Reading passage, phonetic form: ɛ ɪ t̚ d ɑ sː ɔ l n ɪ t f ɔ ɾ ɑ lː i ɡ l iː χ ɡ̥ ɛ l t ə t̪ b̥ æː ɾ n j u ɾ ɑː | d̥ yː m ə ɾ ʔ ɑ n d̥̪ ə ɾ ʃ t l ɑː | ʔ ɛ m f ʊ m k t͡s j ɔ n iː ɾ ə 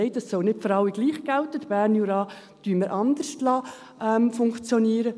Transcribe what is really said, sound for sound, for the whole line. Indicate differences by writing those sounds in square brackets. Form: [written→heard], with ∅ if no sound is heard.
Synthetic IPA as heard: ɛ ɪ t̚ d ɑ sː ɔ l n ɪ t f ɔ ɾ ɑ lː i ɡ l iː χ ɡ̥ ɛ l t ə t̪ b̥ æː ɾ n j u ɾ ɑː | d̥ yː m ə ɾ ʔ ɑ n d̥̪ ə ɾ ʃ t l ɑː | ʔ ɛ m f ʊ [m→ŋ] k t͡s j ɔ n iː ɾ ə

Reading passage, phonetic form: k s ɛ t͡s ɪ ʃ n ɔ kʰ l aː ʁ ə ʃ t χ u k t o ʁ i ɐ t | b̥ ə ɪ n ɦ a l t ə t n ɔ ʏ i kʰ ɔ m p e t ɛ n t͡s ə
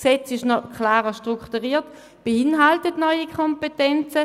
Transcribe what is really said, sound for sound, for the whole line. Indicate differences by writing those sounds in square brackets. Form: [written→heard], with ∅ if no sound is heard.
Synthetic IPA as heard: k s ɛ t͡s ɪ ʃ n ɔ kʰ l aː ʁ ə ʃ t [χ→ʁ] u k t [o→u] ʁ [i→iː] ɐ t | b̥ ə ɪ n ɦ a l t ə t n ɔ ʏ i kʰ ɔ m p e t ɛ n t͡s ə

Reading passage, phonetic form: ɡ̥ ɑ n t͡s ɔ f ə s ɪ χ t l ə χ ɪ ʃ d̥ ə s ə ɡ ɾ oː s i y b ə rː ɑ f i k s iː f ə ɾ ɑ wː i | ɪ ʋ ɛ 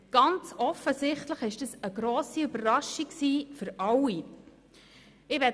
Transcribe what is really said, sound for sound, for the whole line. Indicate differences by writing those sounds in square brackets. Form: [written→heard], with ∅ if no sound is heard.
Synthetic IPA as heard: ɡ̥ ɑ n t͡s ɔ f ə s ɪ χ t l ə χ ɪ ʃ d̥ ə s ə ɡ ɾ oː s i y b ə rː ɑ [f→ʃ] i k s iː f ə ɾ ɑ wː i | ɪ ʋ ɛ

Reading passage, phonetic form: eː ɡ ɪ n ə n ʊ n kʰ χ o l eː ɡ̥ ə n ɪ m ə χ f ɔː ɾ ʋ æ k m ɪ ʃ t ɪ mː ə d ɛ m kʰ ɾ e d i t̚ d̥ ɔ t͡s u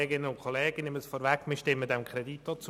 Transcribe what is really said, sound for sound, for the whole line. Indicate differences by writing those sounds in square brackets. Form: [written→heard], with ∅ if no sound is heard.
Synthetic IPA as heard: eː ɡ ɪ n ə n ʊ n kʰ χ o l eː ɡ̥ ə n ɪ m ə [χ→s] f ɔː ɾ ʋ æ k m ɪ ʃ t ɪ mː ə d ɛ m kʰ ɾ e d i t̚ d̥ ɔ t͡s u

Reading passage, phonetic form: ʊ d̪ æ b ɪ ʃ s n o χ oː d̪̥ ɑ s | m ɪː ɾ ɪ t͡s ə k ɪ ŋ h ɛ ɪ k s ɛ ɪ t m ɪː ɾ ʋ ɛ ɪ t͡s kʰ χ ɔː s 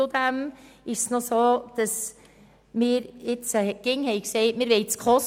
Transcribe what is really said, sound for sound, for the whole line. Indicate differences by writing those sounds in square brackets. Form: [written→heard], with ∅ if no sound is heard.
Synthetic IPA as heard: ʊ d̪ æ [b→m] ɪ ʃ s n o [χ→s] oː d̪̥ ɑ s | m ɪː ɾ ɪ t͡s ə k ɪ ŋ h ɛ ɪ k s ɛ ɪ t m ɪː ɾ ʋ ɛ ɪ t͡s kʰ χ [ɔː→ɔ] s

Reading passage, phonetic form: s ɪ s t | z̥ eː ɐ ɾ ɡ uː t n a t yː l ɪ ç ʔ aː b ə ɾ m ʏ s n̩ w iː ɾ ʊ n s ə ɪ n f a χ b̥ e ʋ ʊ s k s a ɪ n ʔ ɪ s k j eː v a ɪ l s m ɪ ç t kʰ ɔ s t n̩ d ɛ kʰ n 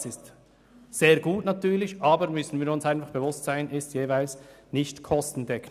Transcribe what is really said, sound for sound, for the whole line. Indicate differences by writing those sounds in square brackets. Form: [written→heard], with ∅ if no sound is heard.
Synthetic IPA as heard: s ɪ s t | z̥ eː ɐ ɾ ɡ uː t n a t yː l ɪ ç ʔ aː b ə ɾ m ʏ s n̩ [w→v] iː ɾ ʊ n s [ə→a] ɪ n f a χ b̥ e [ʋ→v] ʊ s [k→t] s a ɪ n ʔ ɪ s [k→t] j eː v a ɪ l s [m→n] ɪ ç t kʰ ɔ s t n̩ d ɛ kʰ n

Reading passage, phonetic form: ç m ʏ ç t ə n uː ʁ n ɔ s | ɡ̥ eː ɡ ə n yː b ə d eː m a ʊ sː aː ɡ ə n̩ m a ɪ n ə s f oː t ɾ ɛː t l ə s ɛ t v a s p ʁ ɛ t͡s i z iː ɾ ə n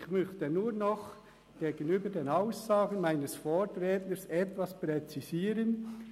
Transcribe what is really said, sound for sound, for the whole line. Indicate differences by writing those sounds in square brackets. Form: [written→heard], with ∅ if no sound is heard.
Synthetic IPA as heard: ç m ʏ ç t ə n uː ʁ n ɔ [s→χ] | ɡ̥ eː ɡ ə n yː b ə d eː [m→n] a ʊ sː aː ɡ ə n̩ m a ɪ n ə s f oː t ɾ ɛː t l ə s ɛ t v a s p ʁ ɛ t͡s i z iː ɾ ə n

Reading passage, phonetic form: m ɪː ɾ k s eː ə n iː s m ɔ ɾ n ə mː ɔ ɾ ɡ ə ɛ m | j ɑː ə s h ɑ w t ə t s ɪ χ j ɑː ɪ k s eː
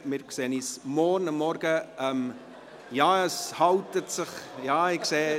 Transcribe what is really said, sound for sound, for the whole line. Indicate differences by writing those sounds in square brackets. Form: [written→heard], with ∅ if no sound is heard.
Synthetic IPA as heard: m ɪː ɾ k s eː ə n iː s m ɔ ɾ n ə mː ɔ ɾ ɡ ə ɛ m | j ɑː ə s h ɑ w t ə t s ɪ χ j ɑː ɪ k s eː

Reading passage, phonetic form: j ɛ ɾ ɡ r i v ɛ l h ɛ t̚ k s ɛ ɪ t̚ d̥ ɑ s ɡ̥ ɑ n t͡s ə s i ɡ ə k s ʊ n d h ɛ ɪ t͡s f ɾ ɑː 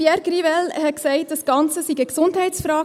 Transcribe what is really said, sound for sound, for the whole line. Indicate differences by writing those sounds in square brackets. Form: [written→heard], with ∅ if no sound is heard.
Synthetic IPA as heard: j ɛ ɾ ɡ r i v ɛ l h ɛ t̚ k s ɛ ɪ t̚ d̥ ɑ s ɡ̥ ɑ n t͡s ə s i ɡ ə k s ʊ n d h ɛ ɪ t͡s f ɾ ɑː

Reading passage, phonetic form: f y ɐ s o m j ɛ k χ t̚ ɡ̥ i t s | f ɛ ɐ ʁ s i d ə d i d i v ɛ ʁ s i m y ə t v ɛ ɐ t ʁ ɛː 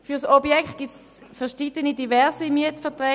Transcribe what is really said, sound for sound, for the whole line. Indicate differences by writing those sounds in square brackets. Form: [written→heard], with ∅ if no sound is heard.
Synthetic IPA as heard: f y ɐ s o [m→b] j ɛ k χ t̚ ɡ̥ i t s | f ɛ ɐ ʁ [s→ʃ] i d ə [d→n] i d i v ɛ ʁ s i m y ə t [v→f] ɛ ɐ t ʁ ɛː

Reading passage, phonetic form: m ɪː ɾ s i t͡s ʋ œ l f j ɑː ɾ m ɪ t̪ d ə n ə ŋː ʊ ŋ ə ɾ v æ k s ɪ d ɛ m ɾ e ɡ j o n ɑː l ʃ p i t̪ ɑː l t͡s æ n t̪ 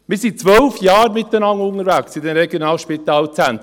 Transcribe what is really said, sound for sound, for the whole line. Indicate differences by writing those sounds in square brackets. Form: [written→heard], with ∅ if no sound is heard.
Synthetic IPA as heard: m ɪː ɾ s i t͡s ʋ œ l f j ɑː ɾ m ɪ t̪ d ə n [ə→ɑ] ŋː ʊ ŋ ə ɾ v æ k s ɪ d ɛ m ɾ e ɡ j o n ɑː l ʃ p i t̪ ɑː l t͡s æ n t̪

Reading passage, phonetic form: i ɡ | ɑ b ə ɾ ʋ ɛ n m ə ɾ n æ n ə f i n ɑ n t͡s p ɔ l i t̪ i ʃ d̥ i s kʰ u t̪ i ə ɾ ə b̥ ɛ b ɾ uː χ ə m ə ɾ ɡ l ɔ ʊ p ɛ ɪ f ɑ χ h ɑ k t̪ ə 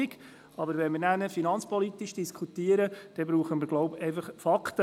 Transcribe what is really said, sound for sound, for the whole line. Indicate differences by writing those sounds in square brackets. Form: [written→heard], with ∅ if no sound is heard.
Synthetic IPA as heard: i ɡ | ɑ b ə ɾ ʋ ɛ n m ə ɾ n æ n ə f i n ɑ n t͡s p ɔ l i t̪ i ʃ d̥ i s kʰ u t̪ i ə ɾ ə [b̥→d̥] ɛ b ɾ uː χ ə m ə ɾ ɡ l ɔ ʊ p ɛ ɪ f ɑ χ [h→f] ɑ k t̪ ə

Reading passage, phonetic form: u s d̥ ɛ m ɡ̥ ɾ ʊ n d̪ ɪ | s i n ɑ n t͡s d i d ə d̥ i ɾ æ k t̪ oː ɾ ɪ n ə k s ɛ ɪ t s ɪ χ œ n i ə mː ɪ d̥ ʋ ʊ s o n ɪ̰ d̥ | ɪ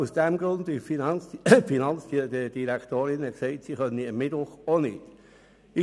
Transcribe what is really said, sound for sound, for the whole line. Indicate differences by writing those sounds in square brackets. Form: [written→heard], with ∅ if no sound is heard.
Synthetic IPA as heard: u s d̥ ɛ m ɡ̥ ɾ ʊ n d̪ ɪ | [s→f] i n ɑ n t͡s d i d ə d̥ i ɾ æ k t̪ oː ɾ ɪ n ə k s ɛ ɪ t s [ɪ→i] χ œ n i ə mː ɪ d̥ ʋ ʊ [s→χ] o n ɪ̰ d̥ | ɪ

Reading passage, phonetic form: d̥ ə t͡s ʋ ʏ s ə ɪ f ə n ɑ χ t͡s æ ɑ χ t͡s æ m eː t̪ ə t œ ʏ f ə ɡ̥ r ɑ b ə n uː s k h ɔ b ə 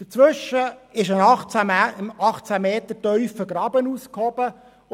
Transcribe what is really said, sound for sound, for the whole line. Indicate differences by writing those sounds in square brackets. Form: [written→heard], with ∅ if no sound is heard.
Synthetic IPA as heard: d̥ ə t͡s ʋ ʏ [s→ʃ] ə ɪ [f→ʃ] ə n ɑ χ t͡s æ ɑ χ t͡s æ m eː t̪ ə t œ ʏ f ə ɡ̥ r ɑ b ə n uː s k h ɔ b ə

